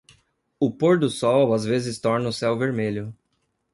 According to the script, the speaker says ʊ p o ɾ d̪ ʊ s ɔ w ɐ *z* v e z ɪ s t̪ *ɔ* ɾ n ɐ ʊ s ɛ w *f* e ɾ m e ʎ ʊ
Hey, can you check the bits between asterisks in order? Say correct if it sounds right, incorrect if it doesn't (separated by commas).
correct, correct, incorrect